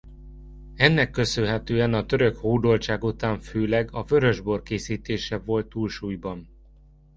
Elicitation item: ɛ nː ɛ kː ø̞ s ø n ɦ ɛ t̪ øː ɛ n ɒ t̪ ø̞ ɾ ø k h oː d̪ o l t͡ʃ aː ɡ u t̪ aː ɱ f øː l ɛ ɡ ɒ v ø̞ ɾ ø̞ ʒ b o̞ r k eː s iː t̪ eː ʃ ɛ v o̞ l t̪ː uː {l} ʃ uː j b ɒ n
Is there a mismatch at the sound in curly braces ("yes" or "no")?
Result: no